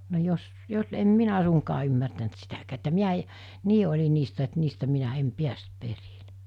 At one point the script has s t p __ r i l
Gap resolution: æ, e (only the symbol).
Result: e